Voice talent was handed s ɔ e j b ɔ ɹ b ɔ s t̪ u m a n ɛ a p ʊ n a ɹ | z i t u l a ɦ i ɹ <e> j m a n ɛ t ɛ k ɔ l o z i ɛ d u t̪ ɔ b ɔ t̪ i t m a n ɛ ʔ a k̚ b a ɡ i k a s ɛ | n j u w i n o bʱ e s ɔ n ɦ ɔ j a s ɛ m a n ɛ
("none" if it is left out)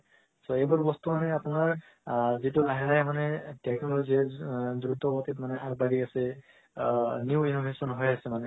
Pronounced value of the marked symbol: a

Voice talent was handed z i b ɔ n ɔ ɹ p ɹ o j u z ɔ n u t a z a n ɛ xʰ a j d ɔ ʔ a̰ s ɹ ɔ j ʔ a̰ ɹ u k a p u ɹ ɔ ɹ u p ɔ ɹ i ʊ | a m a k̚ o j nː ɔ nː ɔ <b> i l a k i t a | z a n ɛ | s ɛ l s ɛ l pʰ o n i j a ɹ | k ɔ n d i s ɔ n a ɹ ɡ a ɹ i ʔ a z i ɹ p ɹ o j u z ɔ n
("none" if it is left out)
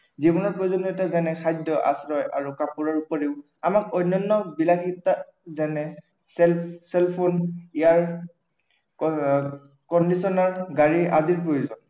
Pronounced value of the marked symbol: b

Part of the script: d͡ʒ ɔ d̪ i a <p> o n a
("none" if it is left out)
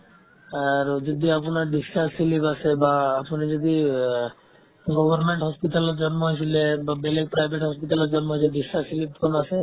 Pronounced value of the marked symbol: p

